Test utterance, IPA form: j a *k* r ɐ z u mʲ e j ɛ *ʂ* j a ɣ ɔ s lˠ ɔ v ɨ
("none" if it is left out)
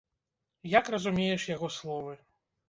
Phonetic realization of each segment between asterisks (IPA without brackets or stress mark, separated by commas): k, ʂ